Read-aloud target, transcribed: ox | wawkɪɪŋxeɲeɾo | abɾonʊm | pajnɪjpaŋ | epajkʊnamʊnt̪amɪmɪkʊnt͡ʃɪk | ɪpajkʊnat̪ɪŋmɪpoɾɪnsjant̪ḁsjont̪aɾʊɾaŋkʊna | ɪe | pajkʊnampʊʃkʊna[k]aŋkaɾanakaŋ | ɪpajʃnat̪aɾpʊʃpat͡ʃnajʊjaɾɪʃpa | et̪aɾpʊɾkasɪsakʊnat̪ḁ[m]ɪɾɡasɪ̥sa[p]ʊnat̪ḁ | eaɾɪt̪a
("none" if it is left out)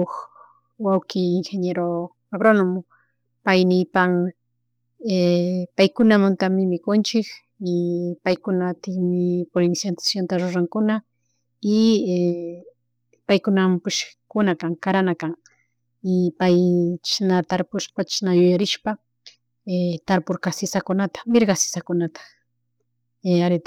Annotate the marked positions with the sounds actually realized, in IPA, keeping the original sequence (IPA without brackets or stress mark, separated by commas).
k, m, k